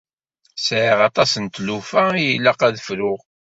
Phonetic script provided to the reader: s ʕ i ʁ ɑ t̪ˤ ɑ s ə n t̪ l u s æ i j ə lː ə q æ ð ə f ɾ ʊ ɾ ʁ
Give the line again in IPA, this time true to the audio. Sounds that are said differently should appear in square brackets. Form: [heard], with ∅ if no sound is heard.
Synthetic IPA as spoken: s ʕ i ʁ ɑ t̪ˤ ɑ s ə n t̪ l u [f] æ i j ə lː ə q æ ð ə f ɾ ʊ [∅] ʁ